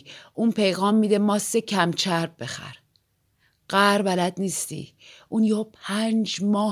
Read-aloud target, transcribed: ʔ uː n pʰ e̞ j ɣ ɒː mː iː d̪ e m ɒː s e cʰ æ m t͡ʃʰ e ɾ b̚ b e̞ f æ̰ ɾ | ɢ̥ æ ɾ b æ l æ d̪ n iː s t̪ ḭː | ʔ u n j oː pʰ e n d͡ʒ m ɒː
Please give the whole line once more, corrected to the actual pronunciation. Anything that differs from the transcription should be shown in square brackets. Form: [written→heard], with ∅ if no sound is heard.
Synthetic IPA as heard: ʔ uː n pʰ e̞ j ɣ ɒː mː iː d̪ e m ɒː s e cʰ æ m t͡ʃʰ [e→æ] ɾ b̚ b e̞ [f→x] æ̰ ɾ | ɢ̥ æ ɾ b æ l æ d̪ n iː s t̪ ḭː | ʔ u n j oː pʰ [e→æ] n d͡ʒ m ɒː